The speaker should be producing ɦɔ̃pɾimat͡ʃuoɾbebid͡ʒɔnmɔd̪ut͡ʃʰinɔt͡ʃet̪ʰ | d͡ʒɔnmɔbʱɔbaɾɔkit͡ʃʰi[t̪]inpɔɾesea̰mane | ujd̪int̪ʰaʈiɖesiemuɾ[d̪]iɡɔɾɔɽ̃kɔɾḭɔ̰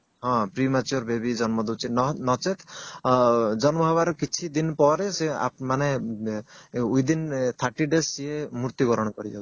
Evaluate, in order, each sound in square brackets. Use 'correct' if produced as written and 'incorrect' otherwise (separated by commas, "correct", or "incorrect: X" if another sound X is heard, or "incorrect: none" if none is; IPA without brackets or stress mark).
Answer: incorrect: d̪, incorrect: t̪